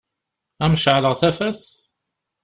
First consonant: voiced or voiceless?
voiced